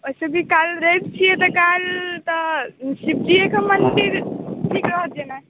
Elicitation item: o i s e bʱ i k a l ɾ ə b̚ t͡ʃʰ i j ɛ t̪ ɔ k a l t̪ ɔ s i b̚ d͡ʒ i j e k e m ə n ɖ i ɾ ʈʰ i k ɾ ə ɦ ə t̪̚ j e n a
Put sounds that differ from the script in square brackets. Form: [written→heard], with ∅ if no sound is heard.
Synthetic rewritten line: o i s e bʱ i k a l ɾ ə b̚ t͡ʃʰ i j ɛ t̪ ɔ k a l t̪ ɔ s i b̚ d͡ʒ i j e k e m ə n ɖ i ɾ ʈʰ i k ɾ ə ɦ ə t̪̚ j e n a